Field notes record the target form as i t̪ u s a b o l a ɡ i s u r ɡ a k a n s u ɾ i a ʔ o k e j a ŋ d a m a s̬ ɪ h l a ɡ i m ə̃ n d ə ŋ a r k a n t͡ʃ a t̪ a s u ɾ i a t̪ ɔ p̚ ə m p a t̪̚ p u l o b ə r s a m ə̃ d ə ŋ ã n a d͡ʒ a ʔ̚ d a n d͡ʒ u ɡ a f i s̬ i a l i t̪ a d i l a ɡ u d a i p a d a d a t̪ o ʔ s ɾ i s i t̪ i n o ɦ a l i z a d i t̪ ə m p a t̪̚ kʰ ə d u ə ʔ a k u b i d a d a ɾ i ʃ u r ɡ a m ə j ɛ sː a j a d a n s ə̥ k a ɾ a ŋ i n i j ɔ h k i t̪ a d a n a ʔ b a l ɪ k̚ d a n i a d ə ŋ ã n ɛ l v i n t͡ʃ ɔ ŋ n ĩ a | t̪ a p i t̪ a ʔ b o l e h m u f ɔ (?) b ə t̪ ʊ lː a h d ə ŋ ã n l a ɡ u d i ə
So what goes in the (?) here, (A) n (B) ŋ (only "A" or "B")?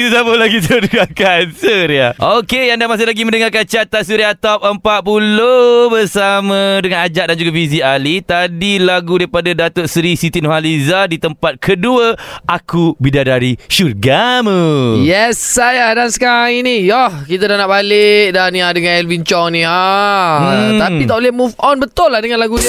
A